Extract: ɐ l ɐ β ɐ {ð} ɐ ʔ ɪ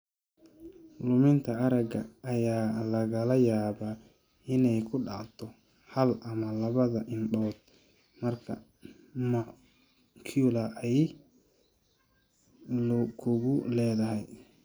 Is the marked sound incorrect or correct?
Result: correct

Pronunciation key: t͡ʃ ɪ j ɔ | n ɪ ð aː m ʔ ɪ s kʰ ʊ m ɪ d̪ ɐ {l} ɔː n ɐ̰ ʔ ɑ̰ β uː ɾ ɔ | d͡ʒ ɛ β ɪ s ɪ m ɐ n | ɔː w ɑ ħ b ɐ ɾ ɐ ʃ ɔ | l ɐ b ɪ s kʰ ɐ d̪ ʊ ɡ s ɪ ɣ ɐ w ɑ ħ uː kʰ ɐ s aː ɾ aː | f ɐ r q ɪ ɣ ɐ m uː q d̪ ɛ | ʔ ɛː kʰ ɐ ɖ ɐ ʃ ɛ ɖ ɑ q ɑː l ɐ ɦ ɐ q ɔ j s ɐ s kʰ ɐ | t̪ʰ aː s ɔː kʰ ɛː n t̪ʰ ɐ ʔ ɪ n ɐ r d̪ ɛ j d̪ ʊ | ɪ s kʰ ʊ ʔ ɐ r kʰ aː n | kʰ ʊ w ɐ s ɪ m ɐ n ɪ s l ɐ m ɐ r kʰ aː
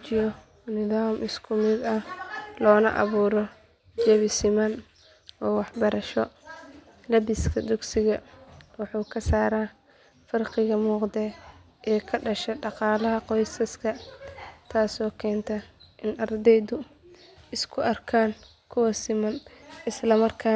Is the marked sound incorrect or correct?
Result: correct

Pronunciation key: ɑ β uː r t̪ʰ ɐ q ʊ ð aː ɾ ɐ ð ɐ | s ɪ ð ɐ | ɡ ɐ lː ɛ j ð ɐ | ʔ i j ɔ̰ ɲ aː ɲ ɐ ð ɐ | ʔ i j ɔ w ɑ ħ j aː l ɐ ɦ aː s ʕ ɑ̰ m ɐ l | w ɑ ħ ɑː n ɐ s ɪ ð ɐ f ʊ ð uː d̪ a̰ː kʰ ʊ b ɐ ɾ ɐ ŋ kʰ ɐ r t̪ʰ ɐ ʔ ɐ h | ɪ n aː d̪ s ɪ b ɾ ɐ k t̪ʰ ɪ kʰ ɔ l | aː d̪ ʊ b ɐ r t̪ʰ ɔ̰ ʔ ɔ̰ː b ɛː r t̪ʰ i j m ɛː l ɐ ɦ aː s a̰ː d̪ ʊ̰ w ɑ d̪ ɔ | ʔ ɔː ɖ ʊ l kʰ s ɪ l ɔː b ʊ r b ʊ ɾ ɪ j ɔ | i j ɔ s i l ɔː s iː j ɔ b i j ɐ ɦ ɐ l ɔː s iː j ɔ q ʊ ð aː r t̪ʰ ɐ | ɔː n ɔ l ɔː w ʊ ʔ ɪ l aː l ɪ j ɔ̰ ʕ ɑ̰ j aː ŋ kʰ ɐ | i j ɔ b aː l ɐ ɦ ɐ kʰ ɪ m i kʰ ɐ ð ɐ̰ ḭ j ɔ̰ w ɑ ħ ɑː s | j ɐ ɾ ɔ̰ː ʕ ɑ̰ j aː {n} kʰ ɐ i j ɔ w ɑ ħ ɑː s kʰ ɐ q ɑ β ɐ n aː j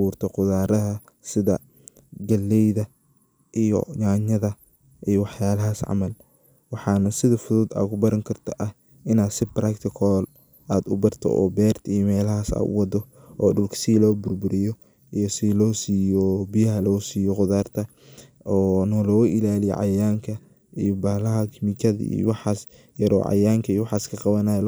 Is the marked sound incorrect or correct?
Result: incorrect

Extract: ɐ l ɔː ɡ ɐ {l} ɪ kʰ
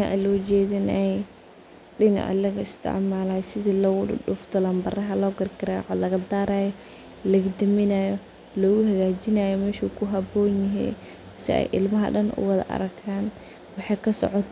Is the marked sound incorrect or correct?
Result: incorrect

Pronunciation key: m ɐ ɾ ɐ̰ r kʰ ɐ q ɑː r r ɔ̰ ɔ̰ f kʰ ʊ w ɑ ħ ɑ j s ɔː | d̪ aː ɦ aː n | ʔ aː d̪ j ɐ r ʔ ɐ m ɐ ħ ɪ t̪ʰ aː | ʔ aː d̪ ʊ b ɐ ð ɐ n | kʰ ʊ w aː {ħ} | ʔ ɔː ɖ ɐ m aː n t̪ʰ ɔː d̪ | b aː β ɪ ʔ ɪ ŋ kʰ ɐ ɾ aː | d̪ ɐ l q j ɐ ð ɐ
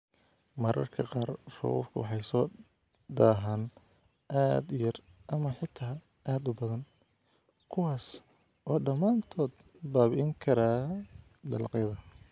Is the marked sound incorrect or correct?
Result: incorrect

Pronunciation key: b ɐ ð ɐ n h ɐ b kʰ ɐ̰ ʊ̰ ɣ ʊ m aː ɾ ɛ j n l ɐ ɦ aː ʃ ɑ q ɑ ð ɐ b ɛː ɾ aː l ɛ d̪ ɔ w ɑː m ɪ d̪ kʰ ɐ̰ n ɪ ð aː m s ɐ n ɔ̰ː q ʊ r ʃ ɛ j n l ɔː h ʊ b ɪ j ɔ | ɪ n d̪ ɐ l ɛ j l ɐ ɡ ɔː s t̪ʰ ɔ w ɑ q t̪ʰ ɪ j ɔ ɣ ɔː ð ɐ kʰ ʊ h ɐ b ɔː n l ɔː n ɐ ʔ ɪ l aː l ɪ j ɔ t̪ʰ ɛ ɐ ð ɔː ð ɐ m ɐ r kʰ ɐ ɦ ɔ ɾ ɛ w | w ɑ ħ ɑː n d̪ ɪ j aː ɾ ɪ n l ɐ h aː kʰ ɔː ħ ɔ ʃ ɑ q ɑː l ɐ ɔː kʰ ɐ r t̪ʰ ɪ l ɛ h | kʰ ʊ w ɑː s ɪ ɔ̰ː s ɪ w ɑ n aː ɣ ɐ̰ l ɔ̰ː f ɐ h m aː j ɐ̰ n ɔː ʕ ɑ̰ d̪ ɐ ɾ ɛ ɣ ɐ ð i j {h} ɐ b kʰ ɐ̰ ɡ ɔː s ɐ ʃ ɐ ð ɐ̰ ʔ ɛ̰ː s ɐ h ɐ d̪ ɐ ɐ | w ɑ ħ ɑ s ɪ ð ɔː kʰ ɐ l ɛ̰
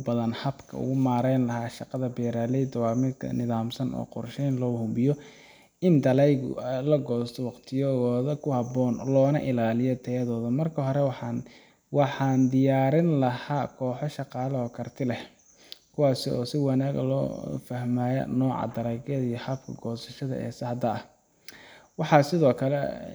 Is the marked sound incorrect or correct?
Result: correct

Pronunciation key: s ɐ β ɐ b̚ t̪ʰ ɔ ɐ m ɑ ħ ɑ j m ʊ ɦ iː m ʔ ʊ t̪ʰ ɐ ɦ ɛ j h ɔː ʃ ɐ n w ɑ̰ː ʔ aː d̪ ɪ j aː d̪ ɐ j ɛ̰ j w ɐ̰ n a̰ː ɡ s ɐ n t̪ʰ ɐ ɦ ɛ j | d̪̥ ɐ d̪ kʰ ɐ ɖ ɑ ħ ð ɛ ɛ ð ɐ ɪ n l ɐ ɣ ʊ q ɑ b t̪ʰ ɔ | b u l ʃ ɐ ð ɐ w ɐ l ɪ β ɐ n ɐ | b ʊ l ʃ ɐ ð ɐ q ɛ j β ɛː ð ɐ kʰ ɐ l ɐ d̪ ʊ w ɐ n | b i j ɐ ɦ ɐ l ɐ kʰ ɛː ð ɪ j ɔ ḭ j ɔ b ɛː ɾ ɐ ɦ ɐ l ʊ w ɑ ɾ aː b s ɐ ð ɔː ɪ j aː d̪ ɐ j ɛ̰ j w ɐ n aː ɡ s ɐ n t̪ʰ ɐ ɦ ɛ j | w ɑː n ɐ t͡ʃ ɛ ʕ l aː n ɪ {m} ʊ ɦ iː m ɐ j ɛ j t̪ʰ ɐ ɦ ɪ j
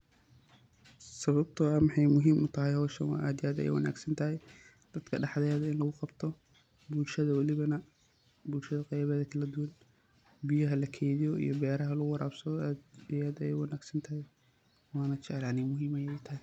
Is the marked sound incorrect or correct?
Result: correct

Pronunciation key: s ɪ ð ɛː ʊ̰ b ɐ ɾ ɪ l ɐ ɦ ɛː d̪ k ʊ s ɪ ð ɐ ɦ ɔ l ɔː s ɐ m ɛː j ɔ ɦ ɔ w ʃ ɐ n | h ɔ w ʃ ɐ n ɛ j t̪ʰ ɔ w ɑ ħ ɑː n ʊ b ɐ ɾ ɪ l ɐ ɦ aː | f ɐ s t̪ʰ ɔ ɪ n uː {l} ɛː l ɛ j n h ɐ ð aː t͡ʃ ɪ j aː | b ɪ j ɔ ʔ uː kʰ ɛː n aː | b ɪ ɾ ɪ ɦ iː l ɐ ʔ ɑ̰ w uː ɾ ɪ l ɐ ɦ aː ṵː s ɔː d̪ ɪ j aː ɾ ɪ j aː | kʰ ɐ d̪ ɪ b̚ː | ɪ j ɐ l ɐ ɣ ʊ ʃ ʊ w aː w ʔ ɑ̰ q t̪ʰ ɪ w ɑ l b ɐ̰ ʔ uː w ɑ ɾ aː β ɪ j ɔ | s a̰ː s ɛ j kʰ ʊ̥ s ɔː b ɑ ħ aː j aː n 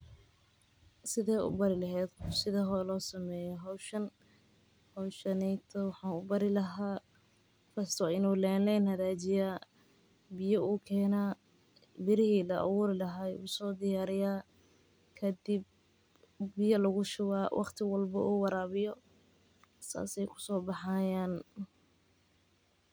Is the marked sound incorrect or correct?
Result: correct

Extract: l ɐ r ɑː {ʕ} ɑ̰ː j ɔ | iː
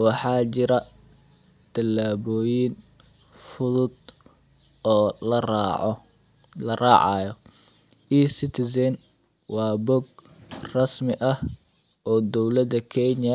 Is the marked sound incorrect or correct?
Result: correct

